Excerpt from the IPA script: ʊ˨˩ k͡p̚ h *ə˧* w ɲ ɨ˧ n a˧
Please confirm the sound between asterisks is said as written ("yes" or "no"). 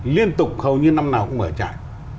no